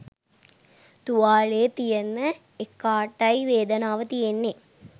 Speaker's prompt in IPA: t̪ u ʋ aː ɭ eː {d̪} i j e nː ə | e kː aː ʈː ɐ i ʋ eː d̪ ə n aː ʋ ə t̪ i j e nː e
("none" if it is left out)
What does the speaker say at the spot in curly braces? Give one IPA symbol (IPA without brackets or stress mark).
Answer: t̪